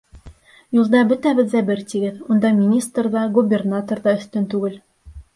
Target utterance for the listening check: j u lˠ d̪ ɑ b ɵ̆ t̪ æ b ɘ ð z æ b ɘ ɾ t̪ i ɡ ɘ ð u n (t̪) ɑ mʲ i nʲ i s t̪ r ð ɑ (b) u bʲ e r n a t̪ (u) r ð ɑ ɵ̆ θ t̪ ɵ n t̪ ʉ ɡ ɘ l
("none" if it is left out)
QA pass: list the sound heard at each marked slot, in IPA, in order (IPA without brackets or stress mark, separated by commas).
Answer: d̪, ɡ, o